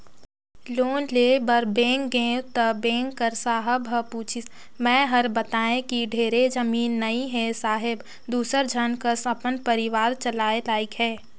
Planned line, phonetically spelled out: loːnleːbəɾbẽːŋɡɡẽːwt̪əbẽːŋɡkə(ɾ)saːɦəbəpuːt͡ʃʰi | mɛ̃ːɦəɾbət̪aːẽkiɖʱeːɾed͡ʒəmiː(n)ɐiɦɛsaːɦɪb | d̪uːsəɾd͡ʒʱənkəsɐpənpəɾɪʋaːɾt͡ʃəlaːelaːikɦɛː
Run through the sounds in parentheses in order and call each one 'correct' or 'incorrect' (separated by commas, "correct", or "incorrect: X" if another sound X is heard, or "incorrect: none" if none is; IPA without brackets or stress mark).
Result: correct, incorrect: nː